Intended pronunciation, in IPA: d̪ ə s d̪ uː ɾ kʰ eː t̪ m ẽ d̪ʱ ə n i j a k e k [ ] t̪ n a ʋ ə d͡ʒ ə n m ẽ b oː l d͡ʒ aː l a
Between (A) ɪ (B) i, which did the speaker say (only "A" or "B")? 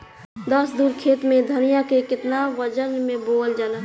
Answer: A